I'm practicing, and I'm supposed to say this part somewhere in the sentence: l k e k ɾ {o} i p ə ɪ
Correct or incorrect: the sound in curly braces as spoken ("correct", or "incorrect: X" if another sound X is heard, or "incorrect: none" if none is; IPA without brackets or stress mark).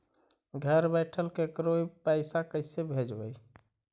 correct